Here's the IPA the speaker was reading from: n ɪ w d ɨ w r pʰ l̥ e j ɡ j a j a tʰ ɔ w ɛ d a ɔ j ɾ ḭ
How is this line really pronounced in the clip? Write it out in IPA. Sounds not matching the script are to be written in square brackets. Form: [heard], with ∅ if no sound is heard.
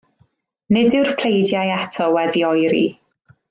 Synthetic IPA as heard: n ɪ [∅] d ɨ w r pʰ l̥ e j [d] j a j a tʰ ɔ w ɛ d [i] ɔ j ɾ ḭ